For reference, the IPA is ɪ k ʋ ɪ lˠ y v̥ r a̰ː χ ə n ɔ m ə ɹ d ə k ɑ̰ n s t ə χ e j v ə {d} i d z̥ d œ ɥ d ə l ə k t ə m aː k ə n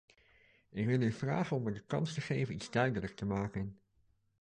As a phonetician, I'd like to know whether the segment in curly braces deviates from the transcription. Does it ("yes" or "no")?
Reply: yes